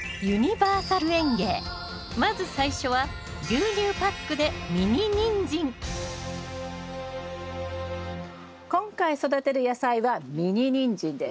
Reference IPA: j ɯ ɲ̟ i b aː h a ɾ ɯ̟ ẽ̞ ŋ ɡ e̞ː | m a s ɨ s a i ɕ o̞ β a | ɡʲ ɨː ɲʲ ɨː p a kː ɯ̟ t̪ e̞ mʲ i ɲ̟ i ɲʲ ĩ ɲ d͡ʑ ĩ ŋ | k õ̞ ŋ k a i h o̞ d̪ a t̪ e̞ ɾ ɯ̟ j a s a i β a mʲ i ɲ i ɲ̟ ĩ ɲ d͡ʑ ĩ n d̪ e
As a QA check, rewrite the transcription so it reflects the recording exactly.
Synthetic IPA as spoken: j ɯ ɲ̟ i b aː s a ɾ ɯ̟ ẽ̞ ŋ ɡ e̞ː | m a z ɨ s a i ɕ o̞ β a | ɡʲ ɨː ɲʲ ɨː p a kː ɯ̟ d̪ e̞ mʲ i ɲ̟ i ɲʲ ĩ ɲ d͡ʑ ĩ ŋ | k õ̞ ŋ k a i s o̞ d̪ a t̪ e̞ ɾ ɯ̟ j a s a i β a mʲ i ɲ i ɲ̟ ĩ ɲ d͡ʑ ĩ n d̪ e